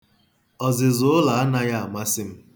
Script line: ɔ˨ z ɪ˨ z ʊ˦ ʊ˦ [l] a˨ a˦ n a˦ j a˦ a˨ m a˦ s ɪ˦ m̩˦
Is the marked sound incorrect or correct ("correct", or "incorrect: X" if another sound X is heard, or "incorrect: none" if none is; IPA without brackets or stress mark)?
correct